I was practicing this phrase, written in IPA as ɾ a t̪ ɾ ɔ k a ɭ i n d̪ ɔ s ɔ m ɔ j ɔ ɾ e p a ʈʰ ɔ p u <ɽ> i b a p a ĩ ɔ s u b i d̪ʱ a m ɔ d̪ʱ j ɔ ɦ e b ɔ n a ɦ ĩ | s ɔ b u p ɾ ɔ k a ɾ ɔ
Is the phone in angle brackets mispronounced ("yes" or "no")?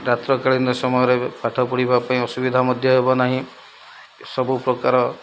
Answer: no